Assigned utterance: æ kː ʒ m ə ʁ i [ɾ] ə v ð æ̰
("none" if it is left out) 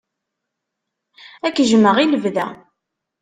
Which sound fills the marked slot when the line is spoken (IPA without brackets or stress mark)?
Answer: l